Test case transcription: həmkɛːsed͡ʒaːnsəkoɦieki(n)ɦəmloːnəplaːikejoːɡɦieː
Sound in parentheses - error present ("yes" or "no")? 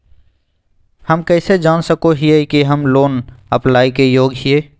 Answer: yes